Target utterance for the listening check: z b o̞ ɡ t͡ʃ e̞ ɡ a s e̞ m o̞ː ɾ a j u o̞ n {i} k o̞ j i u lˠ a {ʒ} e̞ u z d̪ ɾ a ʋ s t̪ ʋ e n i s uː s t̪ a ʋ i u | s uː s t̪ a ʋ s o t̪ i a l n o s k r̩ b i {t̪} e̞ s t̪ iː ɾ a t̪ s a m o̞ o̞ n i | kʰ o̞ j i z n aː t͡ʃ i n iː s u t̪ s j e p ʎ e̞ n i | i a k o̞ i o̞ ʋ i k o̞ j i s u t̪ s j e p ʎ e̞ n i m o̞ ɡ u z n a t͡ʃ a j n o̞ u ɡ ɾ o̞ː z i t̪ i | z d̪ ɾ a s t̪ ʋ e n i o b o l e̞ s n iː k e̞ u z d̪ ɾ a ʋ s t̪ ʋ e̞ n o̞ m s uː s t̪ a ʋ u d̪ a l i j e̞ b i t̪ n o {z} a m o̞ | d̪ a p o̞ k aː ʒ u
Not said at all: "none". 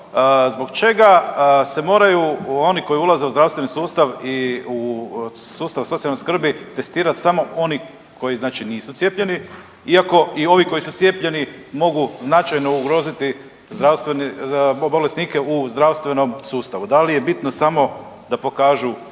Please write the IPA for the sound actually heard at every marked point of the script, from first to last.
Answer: i, z, t̪, s

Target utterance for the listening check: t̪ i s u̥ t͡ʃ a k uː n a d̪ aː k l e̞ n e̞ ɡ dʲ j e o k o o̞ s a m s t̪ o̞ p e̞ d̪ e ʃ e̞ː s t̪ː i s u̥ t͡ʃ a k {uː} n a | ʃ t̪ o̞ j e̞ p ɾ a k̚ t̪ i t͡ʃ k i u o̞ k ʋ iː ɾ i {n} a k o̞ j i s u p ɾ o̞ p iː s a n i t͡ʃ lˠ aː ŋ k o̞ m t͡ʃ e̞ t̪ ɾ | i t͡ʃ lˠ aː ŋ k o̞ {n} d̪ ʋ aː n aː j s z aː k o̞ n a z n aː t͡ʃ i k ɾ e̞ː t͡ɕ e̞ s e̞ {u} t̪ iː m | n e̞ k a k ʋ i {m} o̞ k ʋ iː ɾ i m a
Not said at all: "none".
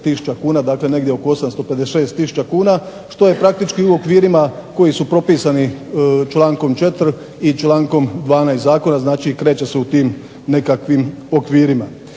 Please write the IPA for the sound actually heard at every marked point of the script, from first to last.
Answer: uː, m, m, u, m

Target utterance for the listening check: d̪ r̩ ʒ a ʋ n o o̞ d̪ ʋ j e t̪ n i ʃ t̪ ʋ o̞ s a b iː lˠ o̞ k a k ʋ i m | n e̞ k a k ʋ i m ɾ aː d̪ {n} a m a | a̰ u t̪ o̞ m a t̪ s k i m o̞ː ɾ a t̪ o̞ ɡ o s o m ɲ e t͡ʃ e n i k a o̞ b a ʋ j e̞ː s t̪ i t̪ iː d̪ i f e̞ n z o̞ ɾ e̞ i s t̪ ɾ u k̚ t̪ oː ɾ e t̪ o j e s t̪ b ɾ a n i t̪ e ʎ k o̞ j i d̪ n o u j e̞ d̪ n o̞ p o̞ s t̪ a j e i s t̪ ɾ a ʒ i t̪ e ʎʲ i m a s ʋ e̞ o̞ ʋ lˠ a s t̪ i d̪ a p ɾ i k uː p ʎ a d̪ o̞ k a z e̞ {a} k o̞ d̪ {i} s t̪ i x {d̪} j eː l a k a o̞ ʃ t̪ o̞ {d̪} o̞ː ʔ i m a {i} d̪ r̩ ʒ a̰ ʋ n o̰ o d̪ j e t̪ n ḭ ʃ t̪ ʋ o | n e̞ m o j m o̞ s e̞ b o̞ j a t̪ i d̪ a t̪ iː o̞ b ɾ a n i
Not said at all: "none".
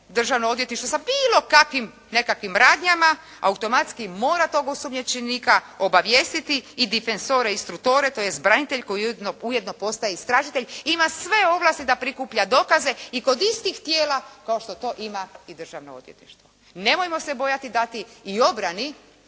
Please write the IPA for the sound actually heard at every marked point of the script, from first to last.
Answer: ɲ, i, i, t̪, t̪, i

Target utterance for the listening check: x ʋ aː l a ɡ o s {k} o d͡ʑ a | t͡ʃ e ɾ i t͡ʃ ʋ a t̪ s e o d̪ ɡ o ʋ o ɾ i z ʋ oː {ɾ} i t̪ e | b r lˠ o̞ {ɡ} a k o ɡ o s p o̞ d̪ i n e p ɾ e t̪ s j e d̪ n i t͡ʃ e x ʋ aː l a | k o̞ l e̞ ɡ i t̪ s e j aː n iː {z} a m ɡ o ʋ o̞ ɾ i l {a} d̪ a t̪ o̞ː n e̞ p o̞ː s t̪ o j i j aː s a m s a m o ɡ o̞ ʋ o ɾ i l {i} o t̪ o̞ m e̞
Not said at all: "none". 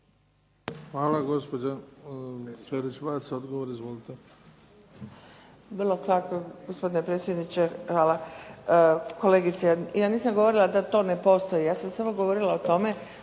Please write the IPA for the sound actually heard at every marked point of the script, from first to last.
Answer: p, l, k, s, a, a

